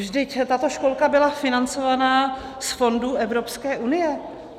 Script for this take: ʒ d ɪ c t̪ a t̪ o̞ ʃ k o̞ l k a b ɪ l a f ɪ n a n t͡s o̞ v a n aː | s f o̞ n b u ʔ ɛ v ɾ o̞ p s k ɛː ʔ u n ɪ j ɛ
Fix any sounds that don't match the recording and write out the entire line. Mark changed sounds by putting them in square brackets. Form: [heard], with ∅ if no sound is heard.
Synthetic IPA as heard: ʒ d ɪ c t̪ a t̪ o̞ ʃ k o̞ l k a b ɪ l a f ɪ n a n t͡s o̞ v a n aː | s f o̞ n [d] u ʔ ɛ v ɾ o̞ p s k ɛː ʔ u n ɪ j ɛ